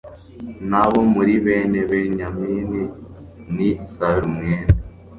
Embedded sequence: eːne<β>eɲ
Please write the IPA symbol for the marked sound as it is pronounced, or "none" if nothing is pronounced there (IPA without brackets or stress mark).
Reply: β